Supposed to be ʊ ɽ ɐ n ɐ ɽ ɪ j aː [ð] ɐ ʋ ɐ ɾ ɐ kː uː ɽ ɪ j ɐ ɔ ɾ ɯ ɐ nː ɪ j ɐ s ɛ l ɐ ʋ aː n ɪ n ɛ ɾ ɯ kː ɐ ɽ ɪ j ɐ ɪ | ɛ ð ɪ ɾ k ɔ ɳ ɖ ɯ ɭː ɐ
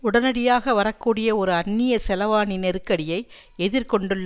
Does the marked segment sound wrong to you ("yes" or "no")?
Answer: yes